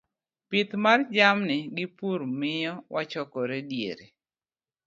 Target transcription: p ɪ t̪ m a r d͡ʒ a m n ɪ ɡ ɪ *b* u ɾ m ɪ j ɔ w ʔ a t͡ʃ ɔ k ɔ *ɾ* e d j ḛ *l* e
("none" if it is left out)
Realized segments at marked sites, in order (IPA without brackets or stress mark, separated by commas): p, ɾ, ɾ